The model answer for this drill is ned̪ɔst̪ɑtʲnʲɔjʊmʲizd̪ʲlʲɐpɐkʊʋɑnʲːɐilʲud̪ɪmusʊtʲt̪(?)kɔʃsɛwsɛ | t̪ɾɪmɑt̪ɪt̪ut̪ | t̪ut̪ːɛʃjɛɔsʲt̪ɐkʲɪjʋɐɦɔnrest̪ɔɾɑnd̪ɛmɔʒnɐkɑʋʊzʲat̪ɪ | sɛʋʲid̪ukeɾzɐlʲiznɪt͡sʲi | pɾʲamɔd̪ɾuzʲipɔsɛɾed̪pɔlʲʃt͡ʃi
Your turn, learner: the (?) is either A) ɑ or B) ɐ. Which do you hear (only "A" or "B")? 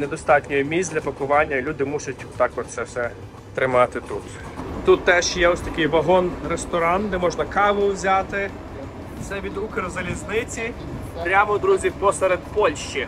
A